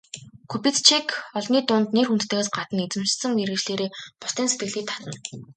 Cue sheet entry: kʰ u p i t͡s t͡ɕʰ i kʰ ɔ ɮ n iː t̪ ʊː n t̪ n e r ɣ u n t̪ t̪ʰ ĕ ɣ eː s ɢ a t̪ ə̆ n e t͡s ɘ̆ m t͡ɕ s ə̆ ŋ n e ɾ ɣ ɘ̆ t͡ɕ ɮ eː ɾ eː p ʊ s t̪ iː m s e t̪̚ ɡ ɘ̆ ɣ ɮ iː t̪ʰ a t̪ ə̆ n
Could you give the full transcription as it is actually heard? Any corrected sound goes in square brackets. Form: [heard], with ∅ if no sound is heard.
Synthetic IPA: kʰ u p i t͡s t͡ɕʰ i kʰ ɔ ɮ n iː t̪ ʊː n t̪ n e r [x] u n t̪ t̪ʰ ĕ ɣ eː s ɢ a t̪ ə̆ n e t͡s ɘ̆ m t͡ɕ s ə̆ ŋ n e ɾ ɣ ɘ̆ t͡ɕ ɮ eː ɾ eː p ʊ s t̪ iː [n] s e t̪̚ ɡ ɘ̆ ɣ ɮ iː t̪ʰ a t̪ ə̆ n

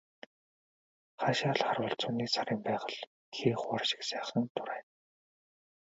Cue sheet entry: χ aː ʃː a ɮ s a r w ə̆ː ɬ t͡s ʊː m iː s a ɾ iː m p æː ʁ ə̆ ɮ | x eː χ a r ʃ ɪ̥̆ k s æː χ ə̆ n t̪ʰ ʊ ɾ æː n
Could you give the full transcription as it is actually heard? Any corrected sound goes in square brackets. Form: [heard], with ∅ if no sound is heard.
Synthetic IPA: χ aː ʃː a ɮ [χ] a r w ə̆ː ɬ t͡s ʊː [n] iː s a ɾ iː m p æː ʁ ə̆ ɮ | x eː χ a r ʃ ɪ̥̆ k s æː χ ə̆ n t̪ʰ ʊ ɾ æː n

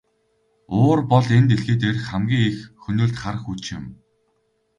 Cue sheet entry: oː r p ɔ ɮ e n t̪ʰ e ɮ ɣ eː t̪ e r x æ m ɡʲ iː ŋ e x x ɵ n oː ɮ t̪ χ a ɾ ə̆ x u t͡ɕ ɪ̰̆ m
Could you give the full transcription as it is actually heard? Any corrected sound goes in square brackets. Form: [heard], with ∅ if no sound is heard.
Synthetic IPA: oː r p ɔ ɮ e n [t̪] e ɮ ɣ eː t̪ e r x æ m ɡʲ iː ŋ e x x ɵ n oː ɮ t̪ χ a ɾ ə̆ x u t͡ɕ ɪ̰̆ m

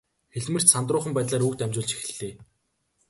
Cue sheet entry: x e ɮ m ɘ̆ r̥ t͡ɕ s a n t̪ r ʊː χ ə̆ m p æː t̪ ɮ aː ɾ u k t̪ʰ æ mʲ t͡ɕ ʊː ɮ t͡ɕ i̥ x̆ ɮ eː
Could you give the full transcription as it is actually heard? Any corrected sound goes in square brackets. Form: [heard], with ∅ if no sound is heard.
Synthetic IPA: x e ɮ m ɘ̆ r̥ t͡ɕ s a n t̪ r ʊː χ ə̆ m p æː t̪ ɮ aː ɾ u k [t̪] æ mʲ t͡ɕ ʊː ɮ t͡ɕ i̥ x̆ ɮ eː

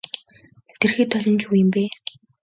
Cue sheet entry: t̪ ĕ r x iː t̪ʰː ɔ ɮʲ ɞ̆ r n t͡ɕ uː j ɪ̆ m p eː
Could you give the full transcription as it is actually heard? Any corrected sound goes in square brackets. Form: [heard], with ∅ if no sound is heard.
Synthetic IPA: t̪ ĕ r x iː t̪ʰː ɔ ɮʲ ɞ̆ [∅] n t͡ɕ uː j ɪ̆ m p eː

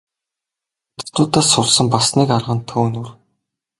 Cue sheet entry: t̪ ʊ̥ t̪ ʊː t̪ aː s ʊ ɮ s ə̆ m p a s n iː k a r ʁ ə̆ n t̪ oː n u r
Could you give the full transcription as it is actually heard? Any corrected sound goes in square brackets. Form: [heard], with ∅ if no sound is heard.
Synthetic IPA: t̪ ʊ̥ t̪ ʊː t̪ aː s ʊ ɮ s ə̆ m p a s n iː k a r ʁ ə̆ n [t̪ʰ] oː n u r

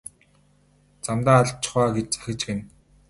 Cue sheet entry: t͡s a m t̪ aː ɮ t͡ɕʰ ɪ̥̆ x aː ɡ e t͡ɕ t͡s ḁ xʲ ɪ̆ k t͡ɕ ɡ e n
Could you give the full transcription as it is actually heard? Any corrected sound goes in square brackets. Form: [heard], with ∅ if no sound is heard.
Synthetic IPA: t͡s a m t̪ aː ɮ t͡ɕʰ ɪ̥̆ [χ] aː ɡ e t͡ɕ t͡s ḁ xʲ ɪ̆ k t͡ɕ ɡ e n

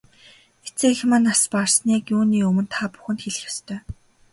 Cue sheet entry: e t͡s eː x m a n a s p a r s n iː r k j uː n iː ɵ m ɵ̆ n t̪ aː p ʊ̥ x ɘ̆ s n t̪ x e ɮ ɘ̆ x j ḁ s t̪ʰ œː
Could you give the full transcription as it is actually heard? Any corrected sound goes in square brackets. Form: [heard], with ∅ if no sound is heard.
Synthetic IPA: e t͡s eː x m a n a s p a r s n iː [∅] k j uː n iː ɵ m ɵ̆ n [t̪ʰ] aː p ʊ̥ x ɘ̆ [∅] n t̪ x e ɮ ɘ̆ x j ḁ s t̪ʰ œː

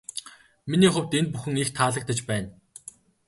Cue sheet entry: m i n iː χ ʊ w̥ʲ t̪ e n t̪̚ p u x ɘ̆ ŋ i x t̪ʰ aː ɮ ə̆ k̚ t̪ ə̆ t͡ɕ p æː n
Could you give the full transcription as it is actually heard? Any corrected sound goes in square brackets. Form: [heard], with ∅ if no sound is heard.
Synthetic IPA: m i n iː χ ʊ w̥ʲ t̪ e n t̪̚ p u x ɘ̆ ŋ i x t̪ʰ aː ɮ ə̆ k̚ t̪ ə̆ t͡ɕ p æː n

